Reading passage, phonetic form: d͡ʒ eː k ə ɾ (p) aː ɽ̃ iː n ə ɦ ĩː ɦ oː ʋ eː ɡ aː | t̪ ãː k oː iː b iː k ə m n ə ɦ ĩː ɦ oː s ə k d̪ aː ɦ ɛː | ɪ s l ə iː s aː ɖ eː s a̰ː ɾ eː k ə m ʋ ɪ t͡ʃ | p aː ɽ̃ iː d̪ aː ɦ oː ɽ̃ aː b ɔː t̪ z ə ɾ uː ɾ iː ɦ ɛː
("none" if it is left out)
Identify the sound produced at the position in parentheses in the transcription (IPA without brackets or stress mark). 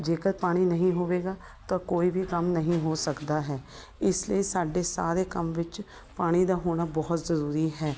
p